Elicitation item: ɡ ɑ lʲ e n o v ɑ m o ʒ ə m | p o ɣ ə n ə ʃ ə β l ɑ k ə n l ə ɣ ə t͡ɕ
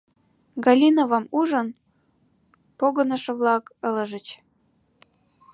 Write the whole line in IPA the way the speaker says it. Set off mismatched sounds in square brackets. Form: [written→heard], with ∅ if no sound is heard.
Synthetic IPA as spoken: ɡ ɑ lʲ [e→i] n o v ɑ m [o→u] ʒ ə [m→n] | p o ɣ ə n ə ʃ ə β l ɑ k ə [n→∅] l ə [ɣ→ʒ] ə t͡ɕ